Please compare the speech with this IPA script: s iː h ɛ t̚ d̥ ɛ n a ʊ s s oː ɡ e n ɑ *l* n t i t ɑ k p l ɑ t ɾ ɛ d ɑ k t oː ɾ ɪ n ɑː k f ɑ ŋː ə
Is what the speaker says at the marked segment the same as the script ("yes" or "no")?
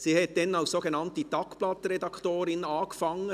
no